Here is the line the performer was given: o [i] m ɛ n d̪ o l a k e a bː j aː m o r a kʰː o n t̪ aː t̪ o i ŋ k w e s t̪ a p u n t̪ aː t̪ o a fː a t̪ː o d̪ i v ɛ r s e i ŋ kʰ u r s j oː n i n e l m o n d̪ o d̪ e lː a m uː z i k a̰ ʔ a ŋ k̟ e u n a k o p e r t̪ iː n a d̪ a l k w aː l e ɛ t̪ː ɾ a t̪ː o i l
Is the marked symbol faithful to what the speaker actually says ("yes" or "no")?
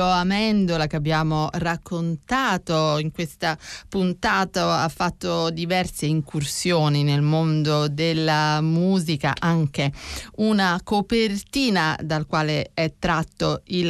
no